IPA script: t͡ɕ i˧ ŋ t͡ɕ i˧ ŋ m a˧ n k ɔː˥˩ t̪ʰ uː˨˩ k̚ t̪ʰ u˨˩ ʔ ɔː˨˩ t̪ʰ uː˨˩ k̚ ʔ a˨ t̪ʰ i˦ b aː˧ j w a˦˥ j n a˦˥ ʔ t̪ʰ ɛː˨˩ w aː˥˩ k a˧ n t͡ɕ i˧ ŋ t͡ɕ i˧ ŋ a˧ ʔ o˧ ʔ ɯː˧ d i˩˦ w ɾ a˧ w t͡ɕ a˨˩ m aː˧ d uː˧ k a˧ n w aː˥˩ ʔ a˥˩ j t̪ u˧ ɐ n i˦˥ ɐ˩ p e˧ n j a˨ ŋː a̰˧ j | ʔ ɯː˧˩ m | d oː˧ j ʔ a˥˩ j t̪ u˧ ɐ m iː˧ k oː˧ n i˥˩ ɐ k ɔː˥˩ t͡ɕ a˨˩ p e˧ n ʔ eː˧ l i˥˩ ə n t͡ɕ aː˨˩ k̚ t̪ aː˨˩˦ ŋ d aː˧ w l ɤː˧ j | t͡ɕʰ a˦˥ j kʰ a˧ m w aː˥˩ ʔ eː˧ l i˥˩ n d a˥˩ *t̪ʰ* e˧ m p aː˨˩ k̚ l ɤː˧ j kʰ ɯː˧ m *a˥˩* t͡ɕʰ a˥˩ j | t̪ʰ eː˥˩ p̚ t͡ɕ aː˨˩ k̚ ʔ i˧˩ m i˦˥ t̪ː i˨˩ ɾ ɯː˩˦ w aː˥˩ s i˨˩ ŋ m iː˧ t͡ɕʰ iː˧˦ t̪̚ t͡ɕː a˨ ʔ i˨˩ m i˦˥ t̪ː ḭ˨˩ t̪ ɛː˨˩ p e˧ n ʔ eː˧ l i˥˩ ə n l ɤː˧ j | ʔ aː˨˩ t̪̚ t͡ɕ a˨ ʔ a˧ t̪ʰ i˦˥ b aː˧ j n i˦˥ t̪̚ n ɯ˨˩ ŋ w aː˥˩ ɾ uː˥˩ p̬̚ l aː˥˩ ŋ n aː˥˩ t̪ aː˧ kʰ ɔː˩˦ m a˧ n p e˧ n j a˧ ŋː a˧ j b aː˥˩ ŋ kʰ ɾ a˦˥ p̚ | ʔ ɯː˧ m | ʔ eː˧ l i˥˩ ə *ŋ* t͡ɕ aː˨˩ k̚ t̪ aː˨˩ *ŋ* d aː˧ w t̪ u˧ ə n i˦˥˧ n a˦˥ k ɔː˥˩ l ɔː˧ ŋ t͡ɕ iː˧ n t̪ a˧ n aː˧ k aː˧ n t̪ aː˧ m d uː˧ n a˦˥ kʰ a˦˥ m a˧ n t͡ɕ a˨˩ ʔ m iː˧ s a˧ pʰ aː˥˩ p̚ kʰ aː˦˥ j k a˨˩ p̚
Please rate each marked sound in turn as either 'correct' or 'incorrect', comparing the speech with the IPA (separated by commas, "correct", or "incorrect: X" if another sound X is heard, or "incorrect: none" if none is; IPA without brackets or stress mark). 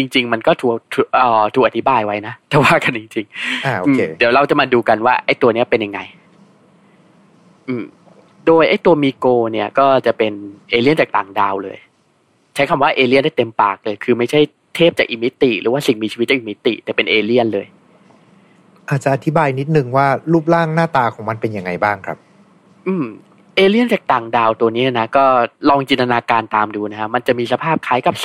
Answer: incorrect: t̪, correct, incorrect: n, correct